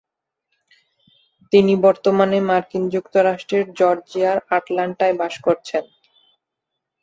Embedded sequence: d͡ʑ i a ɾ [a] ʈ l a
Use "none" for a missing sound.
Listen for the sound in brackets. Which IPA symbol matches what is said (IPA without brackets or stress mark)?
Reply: a